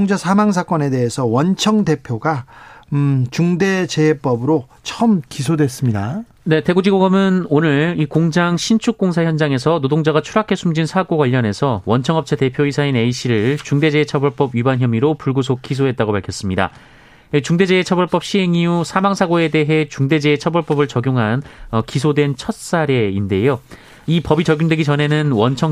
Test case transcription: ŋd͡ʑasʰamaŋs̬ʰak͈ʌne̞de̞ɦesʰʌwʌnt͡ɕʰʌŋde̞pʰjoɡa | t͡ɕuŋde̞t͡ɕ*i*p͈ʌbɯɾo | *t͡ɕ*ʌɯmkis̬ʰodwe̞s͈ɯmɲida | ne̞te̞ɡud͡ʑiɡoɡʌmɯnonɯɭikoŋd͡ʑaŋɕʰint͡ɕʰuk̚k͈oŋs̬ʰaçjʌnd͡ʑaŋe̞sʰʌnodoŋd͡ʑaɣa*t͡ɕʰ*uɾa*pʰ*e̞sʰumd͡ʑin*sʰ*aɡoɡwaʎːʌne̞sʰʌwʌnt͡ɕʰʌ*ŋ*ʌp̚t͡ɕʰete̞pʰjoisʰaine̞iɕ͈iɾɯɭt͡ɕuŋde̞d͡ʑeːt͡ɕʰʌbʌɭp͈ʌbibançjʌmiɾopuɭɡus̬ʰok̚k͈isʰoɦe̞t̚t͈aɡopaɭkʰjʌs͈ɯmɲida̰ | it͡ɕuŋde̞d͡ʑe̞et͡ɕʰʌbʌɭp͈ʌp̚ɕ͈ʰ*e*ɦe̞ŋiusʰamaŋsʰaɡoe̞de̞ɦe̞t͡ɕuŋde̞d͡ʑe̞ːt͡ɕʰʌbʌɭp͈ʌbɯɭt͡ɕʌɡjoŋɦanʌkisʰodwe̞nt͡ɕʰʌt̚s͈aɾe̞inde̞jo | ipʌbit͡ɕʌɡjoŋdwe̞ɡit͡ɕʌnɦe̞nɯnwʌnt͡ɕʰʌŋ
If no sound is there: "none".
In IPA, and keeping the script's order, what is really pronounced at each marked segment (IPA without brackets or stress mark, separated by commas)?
e, t͡ɕʰ, t͡ɕʰ, kʰ, sʰ, ŋ, i